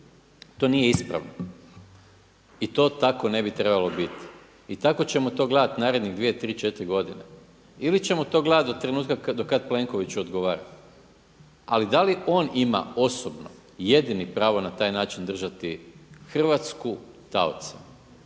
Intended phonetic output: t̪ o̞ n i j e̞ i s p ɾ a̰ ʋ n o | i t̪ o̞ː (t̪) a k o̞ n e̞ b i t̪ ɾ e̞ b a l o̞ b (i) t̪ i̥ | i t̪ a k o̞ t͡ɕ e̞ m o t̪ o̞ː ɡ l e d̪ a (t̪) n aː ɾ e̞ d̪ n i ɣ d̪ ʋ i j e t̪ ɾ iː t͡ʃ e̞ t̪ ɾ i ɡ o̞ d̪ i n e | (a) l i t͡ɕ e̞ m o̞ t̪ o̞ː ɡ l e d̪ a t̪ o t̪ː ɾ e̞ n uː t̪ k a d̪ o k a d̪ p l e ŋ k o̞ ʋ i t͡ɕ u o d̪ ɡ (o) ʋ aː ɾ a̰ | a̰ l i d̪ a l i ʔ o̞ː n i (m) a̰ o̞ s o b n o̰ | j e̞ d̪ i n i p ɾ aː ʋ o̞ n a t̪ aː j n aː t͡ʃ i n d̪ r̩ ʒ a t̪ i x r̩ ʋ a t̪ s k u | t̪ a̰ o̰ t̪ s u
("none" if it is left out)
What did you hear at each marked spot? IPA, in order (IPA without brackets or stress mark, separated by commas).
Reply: t̪, i, t̪, i, o, m